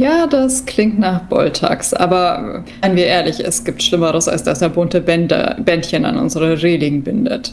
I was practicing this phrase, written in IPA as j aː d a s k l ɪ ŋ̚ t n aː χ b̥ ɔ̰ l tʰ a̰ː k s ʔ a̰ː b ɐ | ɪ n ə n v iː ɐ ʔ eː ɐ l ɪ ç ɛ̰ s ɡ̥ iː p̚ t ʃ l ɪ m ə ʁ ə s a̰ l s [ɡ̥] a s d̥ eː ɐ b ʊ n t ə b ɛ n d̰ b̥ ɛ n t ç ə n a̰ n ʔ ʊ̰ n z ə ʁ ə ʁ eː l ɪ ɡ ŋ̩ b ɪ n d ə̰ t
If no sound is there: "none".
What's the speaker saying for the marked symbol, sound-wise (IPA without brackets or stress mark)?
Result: d̥